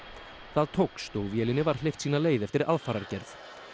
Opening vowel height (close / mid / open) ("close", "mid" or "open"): open